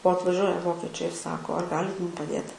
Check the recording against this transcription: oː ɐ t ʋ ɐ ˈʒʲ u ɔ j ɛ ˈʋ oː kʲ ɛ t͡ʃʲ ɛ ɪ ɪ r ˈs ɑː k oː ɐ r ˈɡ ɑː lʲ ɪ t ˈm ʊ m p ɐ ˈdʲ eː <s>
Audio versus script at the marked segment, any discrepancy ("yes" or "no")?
yes